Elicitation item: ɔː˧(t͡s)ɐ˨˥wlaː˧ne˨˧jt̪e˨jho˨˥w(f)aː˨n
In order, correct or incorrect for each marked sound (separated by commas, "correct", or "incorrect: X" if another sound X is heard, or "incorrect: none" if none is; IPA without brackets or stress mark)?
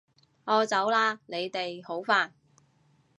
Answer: correct, correct